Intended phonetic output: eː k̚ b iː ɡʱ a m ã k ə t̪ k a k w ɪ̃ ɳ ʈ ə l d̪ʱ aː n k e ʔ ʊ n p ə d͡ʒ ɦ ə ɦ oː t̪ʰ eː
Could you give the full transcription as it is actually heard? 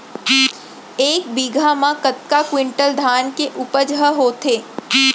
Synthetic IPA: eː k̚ b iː ɡʱ a m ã k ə t̪ k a k w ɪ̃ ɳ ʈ ə l d̪ʱ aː n k e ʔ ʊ p ə d͡ʒ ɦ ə ɦ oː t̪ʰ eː

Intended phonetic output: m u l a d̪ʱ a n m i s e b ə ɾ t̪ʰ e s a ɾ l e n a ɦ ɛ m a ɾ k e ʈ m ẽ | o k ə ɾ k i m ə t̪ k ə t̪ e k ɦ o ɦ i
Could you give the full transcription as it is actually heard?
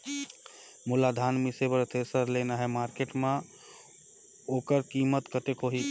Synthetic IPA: m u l a d̪ʱ a n m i s e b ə ɾ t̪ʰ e s ə ɾ l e n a ɦ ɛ m a ɾ k e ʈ m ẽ | o k ə ɾ k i m ə t̪ k ə t̪ e k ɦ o ɦ i

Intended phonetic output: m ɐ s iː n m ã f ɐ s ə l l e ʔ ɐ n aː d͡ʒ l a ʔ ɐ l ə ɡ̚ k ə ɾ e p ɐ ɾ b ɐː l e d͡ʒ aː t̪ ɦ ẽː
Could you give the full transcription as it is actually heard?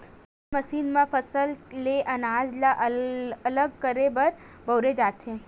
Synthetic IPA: m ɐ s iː n m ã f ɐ s ə l l e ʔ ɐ n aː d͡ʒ l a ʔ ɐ l ə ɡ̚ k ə ɾ e b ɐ ɾ b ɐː ɾ e d͡ʒ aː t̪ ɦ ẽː

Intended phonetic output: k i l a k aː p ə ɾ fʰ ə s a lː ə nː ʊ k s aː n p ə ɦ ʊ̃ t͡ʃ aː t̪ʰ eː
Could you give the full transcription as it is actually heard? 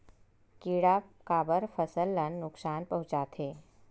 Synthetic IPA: k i ɽ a k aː b ə ɾ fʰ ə s ə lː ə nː ʊ k s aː n p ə ɦ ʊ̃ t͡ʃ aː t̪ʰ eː

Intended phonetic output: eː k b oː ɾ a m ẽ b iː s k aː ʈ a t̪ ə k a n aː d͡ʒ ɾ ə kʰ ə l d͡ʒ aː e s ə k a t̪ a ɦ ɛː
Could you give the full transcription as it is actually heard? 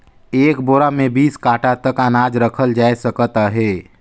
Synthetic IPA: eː k b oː ɾ a m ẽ b iː s k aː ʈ a t̪ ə k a n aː d͡ʒ ɾ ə kʰ ə l d͡ʒ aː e s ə k ə t̪ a ɦ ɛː

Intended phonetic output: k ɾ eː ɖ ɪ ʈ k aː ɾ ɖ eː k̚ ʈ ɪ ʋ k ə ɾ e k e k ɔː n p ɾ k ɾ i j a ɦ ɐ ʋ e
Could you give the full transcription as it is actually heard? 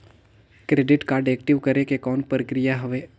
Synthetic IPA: k ɾ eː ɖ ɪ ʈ k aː ɾ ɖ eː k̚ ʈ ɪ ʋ k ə ɾ e k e k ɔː n p ɾ k ɾ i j a ɦ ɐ ʋ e

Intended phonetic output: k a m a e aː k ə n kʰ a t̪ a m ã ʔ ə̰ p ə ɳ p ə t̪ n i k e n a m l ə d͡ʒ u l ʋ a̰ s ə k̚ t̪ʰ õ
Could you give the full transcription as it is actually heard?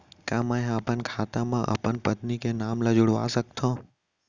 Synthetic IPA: k a m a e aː p ə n kʰ a t̪ a m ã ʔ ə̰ p ə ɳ p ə t̪ n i k e n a m l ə d͡ʒ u ɽ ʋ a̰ s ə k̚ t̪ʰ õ

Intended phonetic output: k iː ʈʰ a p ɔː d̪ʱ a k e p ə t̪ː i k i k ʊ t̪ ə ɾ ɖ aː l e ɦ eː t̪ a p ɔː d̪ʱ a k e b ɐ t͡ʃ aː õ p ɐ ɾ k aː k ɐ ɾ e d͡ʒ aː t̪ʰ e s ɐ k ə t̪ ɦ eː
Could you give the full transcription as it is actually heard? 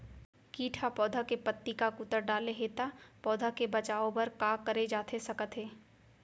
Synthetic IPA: k iː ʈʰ a p ɔː d̪ʱ a k e p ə t̪ː i k a k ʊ t̪ ə ɾ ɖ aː l e ɦ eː t̪ a p ɔː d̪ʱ a k e b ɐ t͡ʃ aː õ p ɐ ɾ k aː k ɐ ɾ e d͡ʒ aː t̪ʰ e s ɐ k ə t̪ ɦ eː

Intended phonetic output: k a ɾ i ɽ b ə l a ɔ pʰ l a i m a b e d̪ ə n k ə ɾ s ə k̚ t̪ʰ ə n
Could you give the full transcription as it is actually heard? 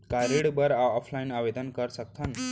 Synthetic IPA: k a ɾ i ɽ b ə ɾ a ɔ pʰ l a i n a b e d̪ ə n k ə ɾ s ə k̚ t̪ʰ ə n

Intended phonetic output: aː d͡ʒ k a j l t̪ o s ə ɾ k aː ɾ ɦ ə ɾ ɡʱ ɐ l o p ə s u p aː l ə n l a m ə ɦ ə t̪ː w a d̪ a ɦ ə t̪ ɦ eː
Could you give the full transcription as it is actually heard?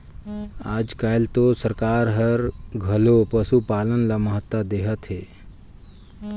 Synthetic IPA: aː d͡ʒ k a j l t̪ o s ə ɾ k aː ɾ ɦ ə ɾ ɡʱ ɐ l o p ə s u p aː l ə n l a m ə ɦ ə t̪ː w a d̪ e ɦ ə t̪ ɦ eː

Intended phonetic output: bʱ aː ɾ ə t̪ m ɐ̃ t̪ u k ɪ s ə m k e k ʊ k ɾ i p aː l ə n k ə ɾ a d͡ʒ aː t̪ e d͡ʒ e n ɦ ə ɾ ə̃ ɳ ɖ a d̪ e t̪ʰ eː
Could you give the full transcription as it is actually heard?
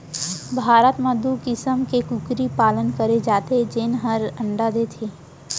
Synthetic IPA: bʱ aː ɾ ə t̪ m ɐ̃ d̪ u k ɪ s ə m k e k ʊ k ɾ i p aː l ə n k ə ɾ e d͡ʒ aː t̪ e d͡ʒ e n ɦ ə ɾ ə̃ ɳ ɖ a d̪ e t̪ʰ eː

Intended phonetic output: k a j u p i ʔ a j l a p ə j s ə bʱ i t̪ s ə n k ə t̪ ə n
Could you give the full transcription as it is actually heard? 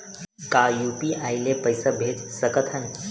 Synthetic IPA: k a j u p i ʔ a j l e p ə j s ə bʱ e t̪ s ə k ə t̪ʰ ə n

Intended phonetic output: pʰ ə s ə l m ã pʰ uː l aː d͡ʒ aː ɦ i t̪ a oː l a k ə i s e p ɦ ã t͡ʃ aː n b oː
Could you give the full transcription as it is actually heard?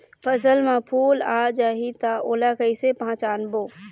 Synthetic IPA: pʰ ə s ə l m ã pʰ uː l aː d͡ʒ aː ɦ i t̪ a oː l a k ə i s e p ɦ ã t͡ʃ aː n b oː

